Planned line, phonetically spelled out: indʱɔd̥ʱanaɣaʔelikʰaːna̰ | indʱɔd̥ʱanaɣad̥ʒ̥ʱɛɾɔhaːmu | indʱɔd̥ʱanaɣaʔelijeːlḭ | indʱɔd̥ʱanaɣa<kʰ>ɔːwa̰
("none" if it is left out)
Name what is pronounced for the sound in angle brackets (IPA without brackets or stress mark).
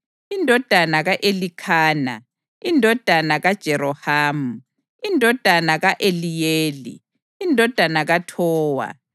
tʰ